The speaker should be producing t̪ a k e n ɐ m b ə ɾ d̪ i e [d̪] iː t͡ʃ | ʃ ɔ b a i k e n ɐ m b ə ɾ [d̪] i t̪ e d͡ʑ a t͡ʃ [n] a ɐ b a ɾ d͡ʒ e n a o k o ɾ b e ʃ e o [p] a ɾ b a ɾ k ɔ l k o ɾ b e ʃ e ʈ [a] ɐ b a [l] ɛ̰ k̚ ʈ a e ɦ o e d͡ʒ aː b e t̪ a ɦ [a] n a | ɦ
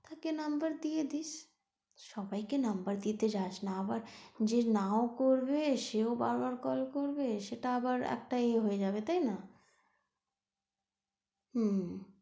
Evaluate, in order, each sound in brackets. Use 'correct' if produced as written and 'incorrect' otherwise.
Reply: correct, correct, correct, incorrect, correct, incorrect, incorrect

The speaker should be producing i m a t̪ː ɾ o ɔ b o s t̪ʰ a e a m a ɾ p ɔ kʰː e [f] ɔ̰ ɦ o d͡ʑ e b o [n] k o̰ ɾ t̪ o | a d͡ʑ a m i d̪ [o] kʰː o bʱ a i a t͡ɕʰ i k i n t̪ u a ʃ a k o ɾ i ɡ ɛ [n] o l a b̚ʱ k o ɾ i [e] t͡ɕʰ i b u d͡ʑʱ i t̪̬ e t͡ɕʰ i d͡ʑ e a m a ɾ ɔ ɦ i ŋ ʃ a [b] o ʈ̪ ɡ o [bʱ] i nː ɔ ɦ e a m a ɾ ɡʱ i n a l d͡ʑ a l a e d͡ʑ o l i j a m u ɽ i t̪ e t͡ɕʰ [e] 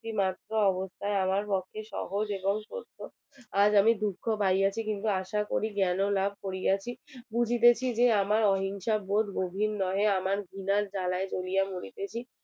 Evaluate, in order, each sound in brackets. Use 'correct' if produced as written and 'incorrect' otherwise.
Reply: incorrect, incorrect, incorrect, correct, incorrect, correct, correct, incorrect

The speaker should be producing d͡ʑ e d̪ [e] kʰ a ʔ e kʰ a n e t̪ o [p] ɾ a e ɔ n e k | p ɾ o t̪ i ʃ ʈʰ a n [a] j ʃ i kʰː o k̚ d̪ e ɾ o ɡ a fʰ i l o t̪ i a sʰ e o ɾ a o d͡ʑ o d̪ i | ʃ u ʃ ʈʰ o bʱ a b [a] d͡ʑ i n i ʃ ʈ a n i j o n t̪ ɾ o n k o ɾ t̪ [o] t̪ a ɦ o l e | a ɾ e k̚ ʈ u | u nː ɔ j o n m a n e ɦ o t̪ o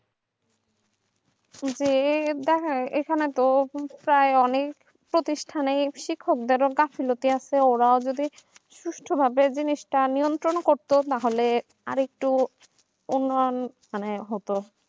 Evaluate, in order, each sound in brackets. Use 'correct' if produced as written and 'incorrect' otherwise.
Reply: incorrect, correct, incorrect, incorrect, correct

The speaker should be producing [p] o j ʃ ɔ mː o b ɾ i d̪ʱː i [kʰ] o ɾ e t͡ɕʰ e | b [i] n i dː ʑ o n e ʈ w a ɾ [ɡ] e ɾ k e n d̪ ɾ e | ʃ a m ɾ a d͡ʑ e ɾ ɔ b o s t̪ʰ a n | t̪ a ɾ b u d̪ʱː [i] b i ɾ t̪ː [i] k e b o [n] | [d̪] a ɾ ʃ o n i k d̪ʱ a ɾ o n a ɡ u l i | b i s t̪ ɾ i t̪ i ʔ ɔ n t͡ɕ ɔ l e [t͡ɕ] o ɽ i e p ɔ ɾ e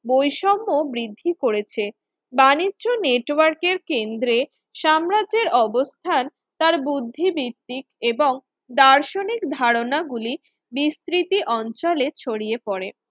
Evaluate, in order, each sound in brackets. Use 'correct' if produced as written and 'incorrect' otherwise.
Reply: incorrect, incorrect, incorrect, incorrect, correct, correct, incorrect, correct, incorrect

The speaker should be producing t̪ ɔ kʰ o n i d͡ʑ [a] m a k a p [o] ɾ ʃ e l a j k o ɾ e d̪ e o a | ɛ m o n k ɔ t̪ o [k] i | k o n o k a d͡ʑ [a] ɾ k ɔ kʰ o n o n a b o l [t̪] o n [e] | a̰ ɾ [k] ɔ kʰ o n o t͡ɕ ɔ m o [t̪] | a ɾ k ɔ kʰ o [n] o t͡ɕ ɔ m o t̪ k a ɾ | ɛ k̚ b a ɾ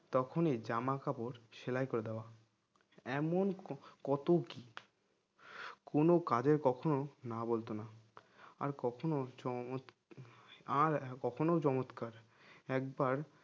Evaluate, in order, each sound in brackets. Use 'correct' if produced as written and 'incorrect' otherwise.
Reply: correct, correct, correct, incorrect, correct, incorrect, correct, correct, correct

